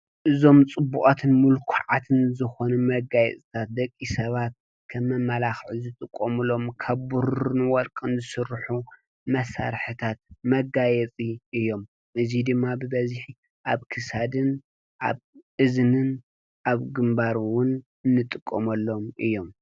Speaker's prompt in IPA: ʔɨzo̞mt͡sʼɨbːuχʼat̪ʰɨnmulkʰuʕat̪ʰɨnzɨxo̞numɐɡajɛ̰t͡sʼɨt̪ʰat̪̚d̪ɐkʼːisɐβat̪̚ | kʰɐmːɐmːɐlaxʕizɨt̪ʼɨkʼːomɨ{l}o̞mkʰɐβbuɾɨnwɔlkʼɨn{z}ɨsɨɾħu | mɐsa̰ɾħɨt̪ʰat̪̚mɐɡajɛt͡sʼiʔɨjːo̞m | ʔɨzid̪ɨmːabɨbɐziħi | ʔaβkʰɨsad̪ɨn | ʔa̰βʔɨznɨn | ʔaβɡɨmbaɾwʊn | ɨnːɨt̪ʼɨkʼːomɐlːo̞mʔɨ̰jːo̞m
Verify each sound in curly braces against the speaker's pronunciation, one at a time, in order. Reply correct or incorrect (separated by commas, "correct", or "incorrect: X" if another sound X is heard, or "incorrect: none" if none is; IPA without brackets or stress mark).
correct, correct